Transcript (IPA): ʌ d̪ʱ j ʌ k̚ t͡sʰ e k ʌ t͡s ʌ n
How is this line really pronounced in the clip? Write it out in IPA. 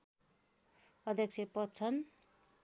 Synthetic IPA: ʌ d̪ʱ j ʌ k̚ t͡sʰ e p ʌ t͡sʰ ʌ n